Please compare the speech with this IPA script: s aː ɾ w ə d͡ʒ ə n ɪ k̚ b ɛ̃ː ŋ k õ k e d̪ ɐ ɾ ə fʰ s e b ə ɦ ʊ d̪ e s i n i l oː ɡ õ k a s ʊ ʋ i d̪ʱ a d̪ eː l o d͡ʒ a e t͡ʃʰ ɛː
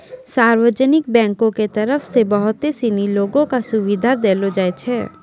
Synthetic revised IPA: s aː ɾ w ə d͡ʒ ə n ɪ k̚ b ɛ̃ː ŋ k õ k e t̪ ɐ ɾ ə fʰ s e b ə ɦ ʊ t̪ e s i n i l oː ɡ õ k a s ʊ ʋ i d̪ʱ a d̪ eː l o d͡ʒ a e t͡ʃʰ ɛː